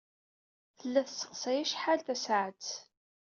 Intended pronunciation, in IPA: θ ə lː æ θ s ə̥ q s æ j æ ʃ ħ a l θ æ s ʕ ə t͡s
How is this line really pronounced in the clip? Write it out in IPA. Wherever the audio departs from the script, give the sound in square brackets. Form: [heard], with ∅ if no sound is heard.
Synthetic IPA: θ ə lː æ θ s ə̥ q s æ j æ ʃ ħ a l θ æ s ʕ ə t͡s